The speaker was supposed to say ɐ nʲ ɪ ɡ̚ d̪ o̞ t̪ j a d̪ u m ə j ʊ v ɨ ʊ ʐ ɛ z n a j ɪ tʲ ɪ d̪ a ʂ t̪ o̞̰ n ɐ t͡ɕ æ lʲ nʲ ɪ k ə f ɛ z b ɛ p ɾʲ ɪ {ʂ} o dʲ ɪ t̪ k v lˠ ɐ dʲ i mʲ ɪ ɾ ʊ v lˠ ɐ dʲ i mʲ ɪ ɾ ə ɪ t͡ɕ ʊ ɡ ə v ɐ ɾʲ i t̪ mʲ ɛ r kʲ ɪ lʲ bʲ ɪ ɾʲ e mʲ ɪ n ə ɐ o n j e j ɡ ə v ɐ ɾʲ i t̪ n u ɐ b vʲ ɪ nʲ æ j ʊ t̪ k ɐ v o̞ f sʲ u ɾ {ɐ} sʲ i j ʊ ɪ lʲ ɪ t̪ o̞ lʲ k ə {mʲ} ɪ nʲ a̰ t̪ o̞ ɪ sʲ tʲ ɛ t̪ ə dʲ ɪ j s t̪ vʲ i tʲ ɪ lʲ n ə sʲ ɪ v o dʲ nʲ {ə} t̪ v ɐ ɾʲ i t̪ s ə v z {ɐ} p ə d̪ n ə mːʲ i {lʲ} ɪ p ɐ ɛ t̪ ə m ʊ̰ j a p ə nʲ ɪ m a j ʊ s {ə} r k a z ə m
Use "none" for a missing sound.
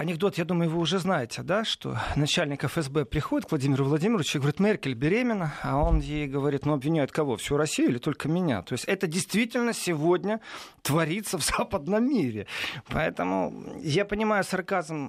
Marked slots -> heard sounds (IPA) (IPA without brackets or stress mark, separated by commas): x, ɐ, mʲ, ə, a, ɾʲ, ɐ